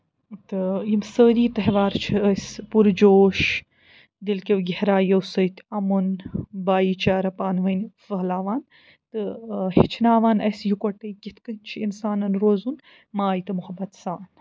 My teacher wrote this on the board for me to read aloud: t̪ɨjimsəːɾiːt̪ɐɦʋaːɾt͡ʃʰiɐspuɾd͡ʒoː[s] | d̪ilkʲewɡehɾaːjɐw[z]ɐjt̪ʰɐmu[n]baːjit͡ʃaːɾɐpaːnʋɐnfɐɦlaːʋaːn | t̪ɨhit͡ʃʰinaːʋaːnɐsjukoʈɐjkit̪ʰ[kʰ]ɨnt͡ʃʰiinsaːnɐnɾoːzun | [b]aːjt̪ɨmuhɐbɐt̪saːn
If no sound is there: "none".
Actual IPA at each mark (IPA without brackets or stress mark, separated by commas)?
ʃ, s, n, k, m